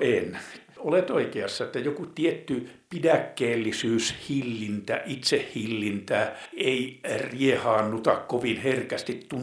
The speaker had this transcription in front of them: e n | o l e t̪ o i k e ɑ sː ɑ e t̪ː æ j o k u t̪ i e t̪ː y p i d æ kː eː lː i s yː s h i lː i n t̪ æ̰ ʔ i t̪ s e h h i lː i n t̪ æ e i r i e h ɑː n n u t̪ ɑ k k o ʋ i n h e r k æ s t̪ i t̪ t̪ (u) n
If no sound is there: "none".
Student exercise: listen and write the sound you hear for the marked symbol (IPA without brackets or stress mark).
u